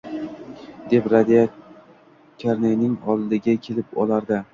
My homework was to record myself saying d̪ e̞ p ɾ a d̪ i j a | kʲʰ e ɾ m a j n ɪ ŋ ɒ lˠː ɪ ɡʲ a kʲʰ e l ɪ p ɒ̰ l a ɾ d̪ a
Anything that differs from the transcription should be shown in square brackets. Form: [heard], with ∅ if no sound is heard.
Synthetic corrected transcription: d̪ e̞ p ɾ a d̪ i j a | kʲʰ [a] ɾ [n] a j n ɪ ŋ ɒ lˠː ɪ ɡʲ a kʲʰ e l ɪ p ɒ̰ l a ɾ d̪ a